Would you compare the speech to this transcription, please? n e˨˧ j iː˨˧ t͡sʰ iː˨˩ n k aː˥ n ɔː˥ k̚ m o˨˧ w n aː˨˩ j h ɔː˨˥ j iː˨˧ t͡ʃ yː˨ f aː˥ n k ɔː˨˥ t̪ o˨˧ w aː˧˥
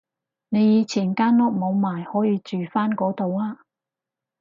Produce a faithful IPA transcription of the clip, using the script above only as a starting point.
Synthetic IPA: n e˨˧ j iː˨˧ t͡sʰ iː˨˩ n k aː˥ n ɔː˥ k̚ m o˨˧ w m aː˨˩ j h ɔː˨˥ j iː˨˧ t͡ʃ yː˨ f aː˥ n k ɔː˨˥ t̪ o˨˧ w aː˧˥

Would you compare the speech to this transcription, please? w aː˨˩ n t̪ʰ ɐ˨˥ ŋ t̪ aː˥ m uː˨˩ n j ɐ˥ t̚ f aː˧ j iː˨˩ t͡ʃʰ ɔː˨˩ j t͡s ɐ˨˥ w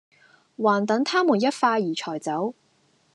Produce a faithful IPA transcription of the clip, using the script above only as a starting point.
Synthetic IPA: w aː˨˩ n t̪ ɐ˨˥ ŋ t̪ʰ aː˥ m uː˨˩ n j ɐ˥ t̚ f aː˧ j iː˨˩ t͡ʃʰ ɔː˨˩ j t͡s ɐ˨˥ w

